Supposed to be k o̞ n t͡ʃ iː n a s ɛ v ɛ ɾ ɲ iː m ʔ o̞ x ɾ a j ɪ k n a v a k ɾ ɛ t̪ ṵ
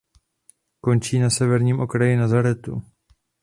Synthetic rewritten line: k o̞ n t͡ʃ iː n a s ɛ v ɛ ɾ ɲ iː m ʔ o̞ k ɾ a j ɪ n a z a ɾ ɛ t̪ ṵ